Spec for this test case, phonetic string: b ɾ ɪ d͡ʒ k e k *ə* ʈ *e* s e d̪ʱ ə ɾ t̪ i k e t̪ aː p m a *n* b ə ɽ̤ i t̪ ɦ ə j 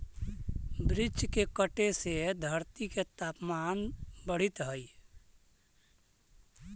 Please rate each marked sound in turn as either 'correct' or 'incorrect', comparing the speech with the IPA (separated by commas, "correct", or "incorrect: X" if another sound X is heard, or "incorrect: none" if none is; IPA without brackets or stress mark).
correct, correct, correct